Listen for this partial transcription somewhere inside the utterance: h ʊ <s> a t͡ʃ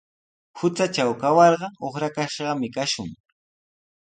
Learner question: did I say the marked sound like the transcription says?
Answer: no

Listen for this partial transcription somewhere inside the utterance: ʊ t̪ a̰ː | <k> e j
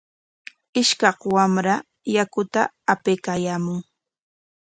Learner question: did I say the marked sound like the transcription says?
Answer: no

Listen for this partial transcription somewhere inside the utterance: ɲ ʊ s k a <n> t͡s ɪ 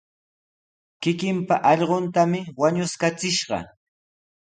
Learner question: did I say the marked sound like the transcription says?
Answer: no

